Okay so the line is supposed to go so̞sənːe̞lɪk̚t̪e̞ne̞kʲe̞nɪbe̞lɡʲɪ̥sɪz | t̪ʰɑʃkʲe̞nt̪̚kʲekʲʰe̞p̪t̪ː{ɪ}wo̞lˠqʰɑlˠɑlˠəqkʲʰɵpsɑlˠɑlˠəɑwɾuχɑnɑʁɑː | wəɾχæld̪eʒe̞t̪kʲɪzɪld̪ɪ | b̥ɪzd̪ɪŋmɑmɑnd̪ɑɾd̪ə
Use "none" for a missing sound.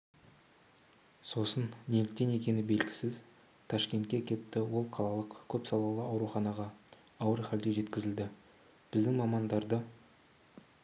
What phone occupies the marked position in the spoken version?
ɪ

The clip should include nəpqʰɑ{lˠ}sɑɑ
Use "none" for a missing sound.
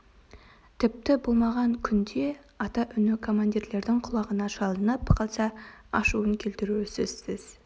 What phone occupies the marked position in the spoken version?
lˠ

